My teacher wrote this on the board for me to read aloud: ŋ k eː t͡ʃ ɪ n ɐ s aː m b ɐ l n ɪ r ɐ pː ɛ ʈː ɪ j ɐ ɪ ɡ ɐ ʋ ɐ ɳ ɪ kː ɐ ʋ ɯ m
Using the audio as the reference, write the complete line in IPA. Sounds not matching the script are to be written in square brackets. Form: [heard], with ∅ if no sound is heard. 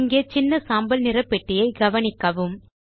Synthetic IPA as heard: ŋ [ɡ] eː t͡ʃ ɪ [nː] ɐ s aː m b ɐ l n ɪ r ɐ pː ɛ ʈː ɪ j ɐ ɪ ɡ ɐ ʋ ɐ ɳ ɪ kː ɐ ʋ ɯ m

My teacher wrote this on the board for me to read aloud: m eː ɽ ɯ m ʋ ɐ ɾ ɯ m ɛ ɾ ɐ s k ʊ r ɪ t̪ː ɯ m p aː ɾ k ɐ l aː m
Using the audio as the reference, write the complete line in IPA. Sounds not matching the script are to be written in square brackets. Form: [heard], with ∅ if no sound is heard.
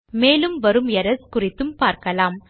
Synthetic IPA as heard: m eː [l] ɯ m ʋ ɐ ɾ ɯ m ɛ ɾ ɐ s k ʊ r ɪ t̪ː ɯ m p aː ɾ k ɐ l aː m

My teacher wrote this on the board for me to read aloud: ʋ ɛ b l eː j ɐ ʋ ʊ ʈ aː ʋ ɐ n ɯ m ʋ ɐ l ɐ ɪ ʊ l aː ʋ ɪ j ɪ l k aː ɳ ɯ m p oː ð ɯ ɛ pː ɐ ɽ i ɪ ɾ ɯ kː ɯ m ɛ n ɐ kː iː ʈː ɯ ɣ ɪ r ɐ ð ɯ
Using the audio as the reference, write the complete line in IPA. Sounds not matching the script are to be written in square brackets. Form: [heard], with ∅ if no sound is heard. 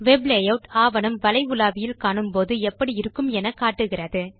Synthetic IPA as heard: ʋ ɛ b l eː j ɐ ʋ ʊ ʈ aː ʋ ɐ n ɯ m ʋ ɐ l ɐ ɪ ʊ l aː ʋ ɪ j ɪ l k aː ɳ ɯ m p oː ð ɯ ɛ pː ɐ ɽ i ɪ ɾ ɯ kː ɯ m ɛ n ɐ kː [aː] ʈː ɯ ɣ ɪ r ɐ ð ɯ

